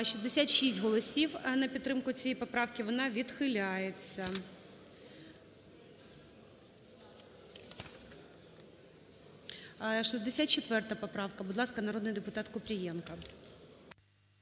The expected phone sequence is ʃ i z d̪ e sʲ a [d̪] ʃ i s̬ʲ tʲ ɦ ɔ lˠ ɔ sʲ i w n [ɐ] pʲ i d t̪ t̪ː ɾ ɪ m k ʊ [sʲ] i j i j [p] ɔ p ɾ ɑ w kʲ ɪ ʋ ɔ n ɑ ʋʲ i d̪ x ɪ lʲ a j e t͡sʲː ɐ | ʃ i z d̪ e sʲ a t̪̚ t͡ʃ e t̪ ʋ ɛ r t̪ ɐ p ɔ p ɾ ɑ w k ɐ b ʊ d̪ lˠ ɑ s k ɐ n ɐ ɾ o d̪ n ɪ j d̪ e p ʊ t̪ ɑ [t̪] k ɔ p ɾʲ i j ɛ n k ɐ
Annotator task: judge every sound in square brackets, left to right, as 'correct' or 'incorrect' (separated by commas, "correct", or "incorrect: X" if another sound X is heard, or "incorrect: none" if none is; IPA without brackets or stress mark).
incorrect: t̪, correct, incorrect: t͡sʲ, correct, correct